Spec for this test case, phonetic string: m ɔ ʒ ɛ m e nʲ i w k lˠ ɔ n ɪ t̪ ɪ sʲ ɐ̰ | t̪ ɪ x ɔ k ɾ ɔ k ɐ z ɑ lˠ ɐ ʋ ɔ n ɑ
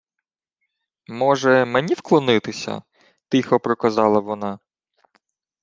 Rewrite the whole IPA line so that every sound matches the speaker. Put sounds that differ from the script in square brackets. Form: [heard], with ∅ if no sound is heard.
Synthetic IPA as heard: m ɔ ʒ ɛ m e nʲ i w k lˠ ɔ n ɪ t̪ ɪ sʲ ɐ̰ | t̪ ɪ x ɔ [p] ɾ ɔ k ɐ z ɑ lˠ ɐ ʋ ɔ n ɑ

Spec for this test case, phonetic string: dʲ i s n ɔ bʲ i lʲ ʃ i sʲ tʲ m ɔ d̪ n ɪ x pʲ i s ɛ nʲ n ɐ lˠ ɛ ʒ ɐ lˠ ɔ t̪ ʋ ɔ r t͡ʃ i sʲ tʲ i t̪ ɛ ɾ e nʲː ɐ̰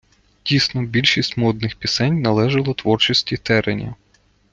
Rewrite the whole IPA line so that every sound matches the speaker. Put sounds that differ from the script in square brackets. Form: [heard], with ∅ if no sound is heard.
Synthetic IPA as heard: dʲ i s n ɔ bʲ i lʲ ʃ i sʲ tʲ m ɔ d̪ n ɪ x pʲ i s ɛ nʲ n ɐ lˠ ɛ ʒ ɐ lˠ ɔ t̪ ʋ ɔ r t͡ʃ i sʲ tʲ i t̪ ɛ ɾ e [nʲ] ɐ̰

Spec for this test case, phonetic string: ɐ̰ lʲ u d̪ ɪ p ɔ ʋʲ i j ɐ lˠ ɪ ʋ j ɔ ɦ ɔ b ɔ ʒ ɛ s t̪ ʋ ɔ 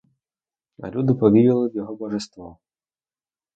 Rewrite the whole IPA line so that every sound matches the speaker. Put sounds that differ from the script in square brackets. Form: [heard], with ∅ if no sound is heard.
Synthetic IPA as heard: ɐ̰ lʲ u d̪ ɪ p ɔ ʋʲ i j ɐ lˠ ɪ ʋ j ɔ ɦ ɔ b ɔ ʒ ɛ s t̪ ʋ ɔ

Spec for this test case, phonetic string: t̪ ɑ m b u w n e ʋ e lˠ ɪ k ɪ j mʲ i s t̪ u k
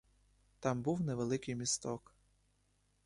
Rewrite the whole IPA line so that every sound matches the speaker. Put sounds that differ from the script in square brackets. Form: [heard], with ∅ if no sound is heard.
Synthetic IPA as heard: t̪ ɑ m b u w n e ʋ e lˠ ɪ k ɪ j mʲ i s t̪ [ɔ] k

